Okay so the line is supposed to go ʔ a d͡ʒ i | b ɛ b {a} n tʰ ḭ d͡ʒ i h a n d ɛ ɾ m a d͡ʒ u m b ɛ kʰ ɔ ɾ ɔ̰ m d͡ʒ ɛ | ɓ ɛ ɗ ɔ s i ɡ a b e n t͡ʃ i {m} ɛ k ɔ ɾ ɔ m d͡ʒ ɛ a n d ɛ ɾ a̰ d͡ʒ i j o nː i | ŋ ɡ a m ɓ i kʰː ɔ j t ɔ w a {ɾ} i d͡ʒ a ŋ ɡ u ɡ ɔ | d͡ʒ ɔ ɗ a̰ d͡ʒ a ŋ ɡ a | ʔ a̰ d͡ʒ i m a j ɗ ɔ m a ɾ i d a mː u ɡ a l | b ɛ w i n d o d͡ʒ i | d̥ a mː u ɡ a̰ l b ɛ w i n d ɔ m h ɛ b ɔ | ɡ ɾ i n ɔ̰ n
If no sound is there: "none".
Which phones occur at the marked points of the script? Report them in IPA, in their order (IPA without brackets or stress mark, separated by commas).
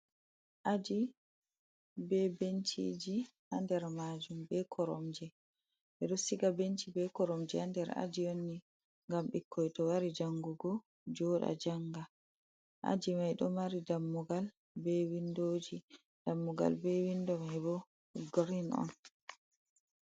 e, b, ɾ